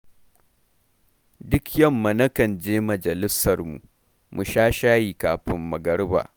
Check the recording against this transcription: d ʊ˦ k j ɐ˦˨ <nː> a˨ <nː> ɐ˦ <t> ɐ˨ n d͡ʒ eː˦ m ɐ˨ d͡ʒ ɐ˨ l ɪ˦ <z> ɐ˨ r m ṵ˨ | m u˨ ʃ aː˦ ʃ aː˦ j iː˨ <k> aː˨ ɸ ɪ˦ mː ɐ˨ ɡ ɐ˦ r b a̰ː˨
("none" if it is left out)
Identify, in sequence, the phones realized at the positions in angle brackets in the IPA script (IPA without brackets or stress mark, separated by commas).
mː, n, k, s, k